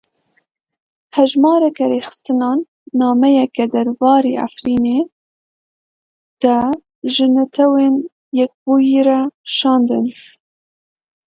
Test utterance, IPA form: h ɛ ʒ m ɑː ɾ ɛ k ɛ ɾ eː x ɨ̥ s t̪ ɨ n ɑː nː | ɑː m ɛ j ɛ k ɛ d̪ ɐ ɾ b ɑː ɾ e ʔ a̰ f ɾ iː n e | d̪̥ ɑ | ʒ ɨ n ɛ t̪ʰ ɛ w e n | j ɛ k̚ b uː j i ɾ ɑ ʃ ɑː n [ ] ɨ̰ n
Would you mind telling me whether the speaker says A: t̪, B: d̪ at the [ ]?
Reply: B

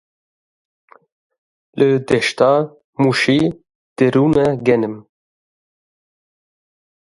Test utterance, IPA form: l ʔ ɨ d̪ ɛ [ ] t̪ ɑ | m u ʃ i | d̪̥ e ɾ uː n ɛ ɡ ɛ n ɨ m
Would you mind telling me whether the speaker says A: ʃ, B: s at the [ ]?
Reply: A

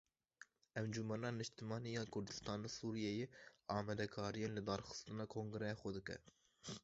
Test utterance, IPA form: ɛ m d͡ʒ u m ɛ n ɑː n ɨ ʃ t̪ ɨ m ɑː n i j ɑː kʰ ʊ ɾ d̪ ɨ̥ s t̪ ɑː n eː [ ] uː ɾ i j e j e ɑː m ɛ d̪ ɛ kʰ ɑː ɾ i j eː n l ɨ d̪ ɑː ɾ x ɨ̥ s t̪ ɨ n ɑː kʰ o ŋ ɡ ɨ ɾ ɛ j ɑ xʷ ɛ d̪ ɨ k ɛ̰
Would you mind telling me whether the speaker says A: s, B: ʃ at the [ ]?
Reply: A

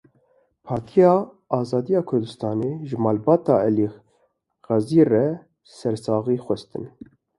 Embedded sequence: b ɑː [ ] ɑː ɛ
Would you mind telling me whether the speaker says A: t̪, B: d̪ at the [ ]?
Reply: A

